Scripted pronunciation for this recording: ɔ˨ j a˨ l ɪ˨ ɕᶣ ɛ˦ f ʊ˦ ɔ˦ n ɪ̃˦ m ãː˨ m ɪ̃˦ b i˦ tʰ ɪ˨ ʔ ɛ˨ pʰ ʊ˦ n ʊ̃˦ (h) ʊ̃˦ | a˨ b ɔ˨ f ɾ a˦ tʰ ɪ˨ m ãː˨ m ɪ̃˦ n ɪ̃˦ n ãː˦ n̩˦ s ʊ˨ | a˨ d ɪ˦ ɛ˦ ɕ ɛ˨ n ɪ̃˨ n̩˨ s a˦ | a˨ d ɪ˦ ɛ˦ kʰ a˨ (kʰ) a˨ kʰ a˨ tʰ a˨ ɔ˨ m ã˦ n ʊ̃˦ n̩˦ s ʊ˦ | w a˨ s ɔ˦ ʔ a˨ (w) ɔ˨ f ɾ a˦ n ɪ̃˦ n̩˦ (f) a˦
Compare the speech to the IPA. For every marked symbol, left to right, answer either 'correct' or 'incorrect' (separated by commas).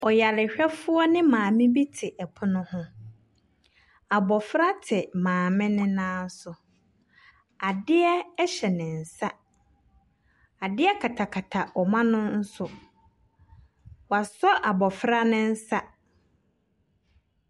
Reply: correct, incorrect, incorrect, incorrect